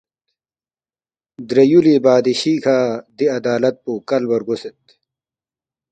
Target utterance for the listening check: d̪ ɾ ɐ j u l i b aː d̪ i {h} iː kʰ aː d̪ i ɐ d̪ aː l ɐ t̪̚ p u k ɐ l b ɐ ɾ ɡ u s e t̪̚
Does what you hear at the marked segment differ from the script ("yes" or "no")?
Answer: yes